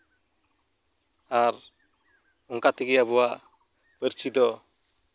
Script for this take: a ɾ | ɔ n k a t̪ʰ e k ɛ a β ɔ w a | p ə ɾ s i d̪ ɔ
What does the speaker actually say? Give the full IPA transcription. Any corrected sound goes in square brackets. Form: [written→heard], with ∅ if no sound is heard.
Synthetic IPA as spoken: a ɾ | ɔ [n→ŋ] k a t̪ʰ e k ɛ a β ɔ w a | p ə ɾ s i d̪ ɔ